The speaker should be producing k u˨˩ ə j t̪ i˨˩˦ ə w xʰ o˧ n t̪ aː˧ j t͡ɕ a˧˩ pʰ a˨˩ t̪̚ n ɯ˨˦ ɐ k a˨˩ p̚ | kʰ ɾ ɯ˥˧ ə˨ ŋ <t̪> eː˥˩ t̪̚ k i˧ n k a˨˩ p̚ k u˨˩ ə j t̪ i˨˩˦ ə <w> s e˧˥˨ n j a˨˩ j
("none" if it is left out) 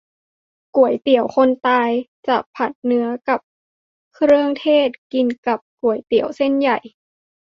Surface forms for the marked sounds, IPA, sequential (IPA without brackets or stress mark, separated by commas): t̪ʰ, w